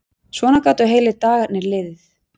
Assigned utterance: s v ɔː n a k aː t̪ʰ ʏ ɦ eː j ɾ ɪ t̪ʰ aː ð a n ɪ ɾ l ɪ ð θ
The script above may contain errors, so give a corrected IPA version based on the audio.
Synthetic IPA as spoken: s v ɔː n a k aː t̪ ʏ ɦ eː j l ɪ t̪ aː ɣ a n ɪ ɾ l ɪ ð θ